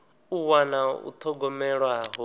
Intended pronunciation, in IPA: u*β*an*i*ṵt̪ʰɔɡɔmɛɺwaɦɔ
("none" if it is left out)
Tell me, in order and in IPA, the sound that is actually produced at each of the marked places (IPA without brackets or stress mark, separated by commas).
w, a